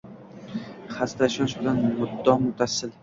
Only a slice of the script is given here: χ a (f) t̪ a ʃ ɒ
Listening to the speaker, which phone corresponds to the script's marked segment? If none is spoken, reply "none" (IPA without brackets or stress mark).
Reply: s